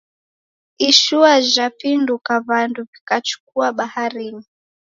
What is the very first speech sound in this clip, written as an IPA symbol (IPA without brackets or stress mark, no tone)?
i